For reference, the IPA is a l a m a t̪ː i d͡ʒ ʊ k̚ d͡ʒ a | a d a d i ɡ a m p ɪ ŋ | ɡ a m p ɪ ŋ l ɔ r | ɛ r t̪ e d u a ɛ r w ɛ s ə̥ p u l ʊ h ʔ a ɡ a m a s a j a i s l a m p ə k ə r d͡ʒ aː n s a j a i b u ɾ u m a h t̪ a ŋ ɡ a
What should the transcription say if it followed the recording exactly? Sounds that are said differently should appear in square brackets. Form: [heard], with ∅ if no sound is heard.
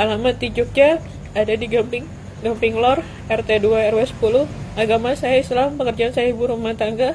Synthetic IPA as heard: a l a m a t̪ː i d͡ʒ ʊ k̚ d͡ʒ a | a d a d i ɡ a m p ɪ ŋ | ɡ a m p ɪ ŋ l ɔ r | ɛ r t̪ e d u a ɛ r w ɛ s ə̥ p u l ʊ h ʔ a ɡ a m a s a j a i s l a m p ə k ə r d͡ʒ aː n s a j a i b u ɾ u m a h t̪ a ŋ ɡ a